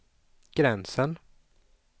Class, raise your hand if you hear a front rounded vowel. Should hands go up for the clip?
no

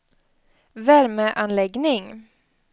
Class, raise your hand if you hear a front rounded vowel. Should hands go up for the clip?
no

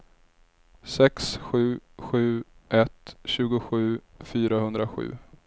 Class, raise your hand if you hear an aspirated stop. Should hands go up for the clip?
no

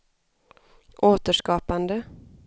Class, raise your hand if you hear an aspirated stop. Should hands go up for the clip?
no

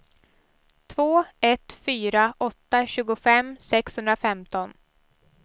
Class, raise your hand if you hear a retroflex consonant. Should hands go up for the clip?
no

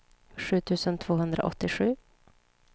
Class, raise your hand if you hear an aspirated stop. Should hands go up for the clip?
yes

